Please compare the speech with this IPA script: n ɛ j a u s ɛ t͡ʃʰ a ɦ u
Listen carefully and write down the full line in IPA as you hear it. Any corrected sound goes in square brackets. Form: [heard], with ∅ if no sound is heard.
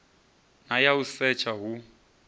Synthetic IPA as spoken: n [a] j a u s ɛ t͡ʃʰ a ɦ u